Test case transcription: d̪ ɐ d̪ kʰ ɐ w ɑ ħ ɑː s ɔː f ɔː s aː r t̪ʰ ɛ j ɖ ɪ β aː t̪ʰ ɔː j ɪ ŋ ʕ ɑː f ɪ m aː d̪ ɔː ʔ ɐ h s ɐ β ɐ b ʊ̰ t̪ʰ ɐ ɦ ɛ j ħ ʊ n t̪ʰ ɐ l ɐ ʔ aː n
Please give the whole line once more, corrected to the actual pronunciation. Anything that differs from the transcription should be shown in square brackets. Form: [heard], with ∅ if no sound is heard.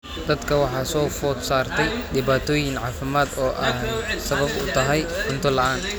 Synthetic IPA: d̪ ɐ d̪ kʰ ɐ w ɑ ħ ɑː s ɔː f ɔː s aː r t̪ʰ ɛ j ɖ ɪ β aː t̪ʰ ɔː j ɪ ŋ ʕ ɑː f ɪ m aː d̪ ɔː ʔ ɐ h s ɐ β ɐ b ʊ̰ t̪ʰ ɐ ɦ ɛ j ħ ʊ n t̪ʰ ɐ l ɐ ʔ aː n

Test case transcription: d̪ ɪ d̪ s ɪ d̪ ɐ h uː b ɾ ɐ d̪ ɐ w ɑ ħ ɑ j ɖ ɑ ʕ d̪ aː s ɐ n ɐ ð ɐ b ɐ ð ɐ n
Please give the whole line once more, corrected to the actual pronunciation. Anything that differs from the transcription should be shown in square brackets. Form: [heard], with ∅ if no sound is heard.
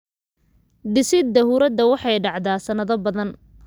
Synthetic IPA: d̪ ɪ [∅] s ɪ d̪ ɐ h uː [∅] ɾ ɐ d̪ ɐ w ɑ ħ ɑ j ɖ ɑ ʕ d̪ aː s ɐ n ɐ ð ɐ b ɐ ð ɐ n

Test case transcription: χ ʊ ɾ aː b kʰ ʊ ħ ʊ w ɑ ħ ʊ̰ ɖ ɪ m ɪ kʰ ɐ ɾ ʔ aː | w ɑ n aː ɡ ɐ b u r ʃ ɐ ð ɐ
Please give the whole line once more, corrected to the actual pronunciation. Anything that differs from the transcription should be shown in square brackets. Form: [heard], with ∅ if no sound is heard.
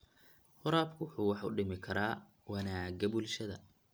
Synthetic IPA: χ ʊ ɾ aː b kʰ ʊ ħ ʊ w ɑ ħ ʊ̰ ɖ ɪ m ɪ kʰ ɐ ɾ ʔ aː | w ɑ n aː ɡ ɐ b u [l] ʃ ɐ ð ɐ

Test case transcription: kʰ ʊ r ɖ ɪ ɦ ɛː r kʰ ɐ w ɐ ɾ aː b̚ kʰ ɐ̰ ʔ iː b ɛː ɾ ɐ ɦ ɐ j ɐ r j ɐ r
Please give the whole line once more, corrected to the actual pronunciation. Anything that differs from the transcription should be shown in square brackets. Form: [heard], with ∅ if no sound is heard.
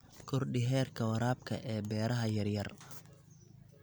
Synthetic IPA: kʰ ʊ r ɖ ɪ ɦ ɛː r kʰ ɐ w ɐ ɾ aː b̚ kʰ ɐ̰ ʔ [ɛː] b ɛː ɾ ɐ ɦ ɐ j ɐ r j ɐ r

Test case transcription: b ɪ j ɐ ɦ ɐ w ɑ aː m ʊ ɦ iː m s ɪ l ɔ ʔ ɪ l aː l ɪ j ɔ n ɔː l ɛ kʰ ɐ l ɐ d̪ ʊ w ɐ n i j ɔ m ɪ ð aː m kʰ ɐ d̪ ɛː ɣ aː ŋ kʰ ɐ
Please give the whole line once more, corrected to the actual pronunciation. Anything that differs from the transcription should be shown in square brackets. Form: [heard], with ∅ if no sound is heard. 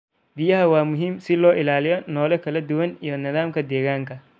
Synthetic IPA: b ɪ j ɐ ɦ ɐ w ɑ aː m ʊ ɦ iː m s ɪ l [ɔː] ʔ ɪ l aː l ɪ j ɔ n ɔː l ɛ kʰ ɐ l ɐ d̪ ʊ w ɐ n i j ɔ [n] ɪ ð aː m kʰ ɐ d̪ ɛː ɣ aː ŋ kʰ ɐ

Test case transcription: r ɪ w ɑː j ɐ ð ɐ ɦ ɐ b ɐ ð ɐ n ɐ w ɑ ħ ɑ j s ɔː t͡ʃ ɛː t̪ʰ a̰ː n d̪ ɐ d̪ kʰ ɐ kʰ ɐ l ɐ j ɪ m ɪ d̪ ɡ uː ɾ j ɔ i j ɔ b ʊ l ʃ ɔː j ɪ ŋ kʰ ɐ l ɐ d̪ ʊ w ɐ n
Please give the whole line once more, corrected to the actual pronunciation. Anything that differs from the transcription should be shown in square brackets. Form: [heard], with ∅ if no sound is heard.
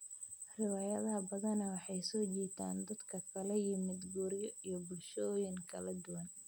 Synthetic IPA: r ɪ w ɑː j ɐ ð ɐ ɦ ɐ b ɐ ð ɐ n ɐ w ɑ ħ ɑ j s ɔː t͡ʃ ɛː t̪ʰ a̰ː n d̪ ɐ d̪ kʰ ɐ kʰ ɐ l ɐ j ɪ m ɪ d̪ ɡ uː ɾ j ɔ i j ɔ b ʊ l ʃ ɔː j ɪ ŋ kʰ ɐ l ɐ d̪ ʊ w ɐ n

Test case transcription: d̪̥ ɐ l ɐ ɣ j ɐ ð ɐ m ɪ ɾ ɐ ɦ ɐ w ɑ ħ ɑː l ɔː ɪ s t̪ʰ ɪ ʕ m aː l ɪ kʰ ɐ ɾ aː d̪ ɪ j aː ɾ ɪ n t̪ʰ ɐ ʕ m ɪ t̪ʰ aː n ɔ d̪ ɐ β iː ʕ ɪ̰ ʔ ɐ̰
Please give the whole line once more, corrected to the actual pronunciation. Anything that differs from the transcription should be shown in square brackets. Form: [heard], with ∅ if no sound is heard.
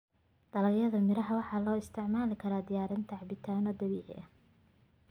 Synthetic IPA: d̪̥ ɐ l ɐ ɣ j ɐ ð ɐ m ɪ ɾ ɐ ɦ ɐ w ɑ ħ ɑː l ɔː ɪ s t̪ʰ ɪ ʕ m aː l ɪ kʰ ɐ ɾ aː d̪ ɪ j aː ɾ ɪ n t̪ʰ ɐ ʕ [b] ɪ t̪ʰ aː n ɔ d̪ ɐ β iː ʕ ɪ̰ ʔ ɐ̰

